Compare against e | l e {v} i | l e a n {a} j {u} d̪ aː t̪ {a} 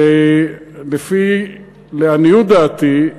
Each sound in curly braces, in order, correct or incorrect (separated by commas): incorrect, incorrect, correct, incorrect